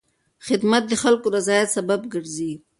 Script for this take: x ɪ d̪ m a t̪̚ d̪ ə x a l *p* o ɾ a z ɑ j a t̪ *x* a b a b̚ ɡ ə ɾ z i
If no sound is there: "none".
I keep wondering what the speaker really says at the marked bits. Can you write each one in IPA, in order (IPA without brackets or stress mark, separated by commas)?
k, s